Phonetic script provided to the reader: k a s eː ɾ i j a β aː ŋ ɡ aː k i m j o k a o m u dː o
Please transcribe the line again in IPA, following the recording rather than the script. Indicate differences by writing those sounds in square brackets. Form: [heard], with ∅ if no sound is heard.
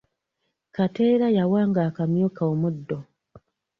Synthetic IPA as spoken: k a [t] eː ɾ [a] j a [w] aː ŋ ɡ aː k [a] m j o k a o m u dː o